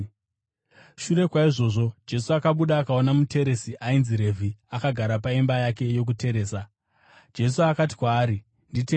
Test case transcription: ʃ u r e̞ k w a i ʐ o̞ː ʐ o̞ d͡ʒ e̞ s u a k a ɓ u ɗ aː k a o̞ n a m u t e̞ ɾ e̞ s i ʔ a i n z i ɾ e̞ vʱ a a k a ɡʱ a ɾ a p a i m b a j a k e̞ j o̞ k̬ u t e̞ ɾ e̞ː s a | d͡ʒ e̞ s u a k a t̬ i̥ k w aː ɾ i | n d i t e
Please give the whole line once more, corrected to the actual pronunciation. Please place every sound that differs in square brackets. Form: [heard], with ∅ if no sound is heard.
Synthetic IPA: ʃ u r e̞ k w a i ʐ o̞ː ʐ o̞ d͡ʒ e̞ s u a k a ɓ u ɗ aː k a o̞ n a m u t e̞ ɾ e̞ s i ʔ a i n z i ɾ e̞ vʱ [i] a k a ɡʱ a ɾ a p a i m b a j a k e̞ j o̞ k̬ u t e̞ ɾ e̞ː s a | d͡ʒ e̞ s u a k a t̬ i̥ k w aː ɾ i | n d i t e